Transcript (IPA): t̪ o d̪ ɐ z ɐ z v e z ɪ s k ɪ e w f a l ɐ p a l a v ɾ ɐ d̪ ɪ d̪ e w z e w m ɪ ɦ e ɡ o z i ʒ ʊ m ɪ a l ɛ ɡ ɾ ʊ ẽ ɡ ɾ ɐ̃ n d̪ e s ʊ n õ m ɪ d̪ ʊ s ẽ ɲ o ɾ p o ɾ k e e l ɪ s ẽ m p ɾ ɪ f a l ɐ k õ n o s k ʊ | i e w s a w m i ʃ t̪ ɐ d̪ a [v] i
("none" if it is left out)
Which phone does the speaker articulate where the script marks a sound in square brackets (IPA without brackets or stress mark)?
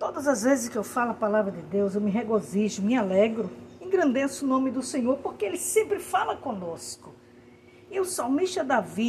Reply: v